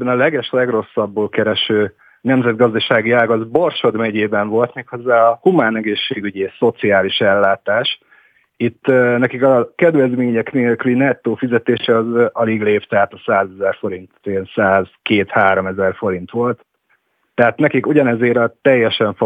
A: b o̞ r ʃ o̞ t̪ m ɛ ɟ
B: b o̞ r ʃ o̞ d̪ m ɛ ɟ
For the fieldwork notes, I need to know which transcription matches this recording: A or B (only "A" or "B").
B